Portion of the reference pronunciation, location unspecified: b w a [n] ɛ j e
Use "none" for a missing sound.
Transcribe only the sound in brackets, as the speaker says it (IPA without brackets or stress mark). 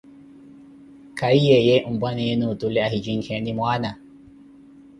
n